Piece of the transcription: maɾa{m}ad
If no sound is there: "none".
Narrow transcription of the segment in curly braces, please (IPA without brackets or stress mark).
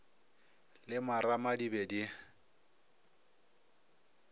m